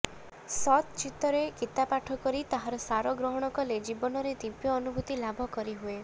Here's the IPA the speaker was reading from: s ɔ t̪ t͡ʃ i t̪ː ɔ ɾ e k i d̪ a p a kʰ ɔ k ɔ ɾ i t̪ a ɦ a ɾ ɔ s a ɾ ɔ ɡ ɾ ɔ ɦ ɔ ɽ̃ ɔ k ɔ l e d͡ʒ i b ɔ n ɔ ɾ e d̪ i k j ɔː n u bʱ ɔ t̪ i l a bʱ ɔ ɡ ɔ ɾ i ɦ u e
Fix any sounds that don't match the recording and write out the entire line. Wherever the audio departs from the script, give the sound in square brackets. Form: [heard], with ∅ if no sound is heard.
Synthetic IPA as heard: s ɔ t̪ t͡ʃ i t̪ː ɔ ɾ e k i [t̪] a p a [ʈʰ] ɔ k ɔ ɾ i t̪ a ɦ a ɾ ɔ s a ɾ ɔ ɡ ɾ ɔ ɦ ɔ ɽ̃ ɔ k ɔ l e d͡ʒ i b ɔ n ɔ ɾ e d̪ i [p] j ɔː n u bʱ [u] t̪ i l a bʱ ɔ [k] ɔ ɾ i ɦ u e